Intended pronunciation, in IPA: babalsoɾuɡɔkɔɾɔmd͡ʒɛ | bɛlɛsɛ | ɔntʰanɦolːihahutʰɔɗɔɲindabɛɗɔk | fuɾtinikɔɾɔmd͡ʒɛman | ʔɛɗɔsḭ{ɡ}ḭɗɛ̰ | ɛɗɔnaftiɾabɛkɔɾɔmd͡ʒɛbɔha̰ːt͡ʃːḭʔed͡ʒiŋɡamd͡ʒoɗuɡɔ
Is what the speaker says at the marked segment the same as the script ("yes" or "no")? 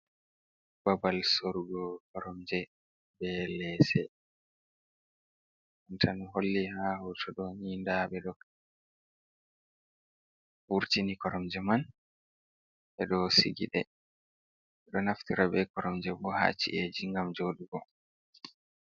yes